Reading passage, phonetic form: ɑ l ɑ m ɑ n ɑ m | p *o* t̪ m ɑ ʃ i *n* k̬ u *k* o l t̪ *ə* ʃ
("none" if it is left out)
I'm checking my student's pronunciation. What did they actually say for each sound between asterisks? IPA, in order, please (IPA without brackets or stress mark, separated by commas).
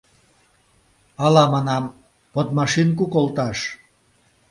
o, n, k, ɑ